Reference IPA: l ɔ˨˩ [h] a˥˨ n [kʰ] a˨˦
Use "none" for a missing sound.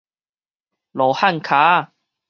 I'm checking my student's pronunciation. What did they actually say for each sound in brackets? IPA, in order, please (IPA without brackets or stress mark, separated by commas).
h, kʰ